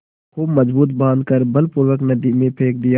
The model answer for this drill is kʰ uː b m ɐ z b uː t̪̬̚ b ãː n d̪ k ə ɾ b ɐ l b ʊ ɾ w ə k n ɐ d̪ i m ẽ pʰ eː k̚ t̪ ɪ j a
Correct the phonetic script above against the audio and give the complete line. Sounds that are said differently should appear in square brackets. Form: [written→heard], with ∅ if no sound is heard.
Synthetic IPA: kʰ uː b m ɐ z b uː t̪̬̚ b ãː n d̪ k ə ɾ b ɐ l [b→p] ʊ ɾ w ə k n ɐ d̪ i m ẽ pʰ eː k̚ [t̪→d̪] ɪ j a